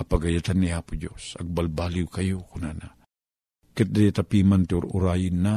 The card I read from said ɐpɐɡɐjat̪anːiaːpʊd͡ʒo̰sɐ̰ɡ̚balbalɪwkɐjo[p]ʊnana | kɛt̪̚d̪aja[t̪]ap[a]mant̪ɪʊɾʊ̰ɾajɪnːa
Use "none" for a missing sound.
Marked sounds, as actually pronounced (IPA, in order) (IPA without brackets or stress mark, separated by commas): k, t̪, i